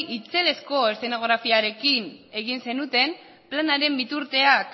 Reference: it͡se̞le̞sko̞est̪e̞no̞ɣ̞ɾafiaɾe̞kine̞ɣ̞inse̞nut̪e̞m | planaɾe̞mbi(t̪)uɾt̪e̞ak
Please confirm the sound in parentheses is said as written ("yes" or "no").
yes